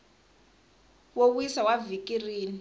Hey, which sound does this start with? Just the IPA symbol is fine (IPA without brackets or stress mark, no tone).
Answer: w